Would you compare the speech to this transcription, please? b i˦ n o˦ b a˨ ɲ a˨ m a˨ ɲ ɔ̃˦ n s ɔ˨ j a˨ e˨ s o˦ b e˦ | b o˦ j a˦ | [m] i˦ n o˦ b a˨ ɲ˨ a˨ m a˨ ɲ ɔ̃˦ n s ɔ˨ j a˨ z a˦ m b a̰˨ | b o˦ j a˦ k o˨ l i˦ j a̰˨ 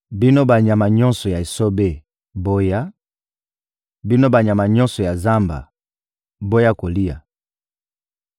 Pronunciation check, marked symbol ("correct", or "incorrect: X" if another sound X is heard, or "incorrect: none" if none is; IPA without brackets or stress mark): incorrect: b